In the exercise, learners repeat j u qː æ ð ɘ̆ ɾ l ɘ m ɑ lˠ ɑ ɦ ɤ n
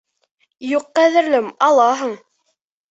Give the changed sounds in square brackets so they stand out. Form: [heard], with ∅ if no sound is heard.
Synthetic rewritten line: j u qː æ ð ɘ̆ ɾ l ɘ m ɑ lˠ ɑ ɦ ɤ [ɴ]